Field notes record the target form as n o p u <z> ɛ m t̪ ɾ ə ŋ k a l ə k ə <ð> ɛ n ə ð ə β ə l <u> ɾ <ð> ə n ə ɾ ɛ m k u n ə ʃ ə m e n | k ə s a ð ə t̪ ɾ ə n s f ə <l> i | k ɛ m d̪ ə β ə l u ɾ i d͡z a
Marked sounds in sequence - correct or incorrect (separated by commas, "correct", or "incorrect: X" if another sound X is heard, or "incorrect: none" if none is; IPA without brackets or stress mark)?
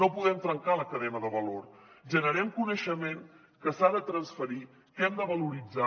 incorrect: ð, correct, incorrect: o, incorrect: ʒ, incorrect: ɾ